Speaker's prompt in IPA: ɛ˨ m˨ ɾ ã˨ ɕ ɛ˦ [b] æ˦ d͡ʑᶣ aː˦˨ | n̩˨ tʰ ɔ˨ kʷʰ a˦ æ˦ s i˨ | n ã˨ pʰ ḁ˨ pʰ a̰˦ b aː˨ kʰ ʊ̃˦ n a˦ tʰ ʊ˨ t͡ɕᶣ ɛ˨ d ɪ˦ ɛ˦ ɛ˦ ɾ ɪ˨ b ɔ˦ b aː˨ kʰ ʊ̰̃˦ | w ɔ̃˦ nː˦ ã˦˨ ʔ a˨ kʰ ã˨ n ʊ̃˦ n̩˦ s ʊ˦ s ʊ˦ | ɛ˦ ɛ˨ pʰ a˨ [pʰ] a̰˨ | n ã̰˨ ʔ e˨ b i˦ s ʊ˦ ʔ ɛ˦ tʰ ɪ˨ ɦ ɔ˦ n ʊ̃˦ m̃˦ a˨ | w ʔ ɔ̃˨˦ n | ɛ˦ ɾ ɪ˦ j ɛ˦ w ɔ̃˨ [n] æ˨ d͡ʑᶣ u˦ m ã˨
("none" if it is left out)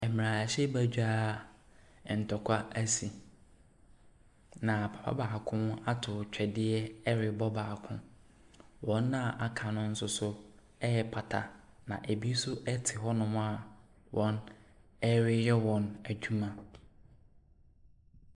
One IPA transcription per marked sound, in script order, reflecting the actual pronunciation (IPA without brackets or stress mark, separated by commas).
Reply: b, tʰ, n